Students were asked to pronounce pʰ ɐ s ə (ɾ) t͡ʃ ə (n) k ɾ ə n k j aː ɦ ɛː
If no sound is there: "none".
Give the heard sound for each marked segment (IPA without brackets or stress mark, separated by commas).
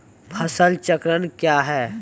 l, none